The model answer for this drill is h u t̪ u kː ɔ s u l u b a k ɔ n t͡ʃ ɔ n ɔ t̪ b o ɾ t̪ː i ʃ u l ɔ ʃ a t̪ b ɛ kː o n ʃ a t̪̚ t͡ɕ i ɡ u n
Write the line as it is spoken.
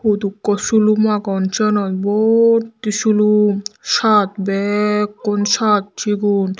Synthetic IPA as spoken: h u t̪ u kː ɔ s u l u m a k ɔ n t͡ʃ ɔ n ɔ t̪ b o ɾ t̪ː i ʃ u l u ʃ a t̪ b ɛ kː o n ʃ a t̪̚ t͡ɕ i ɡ u n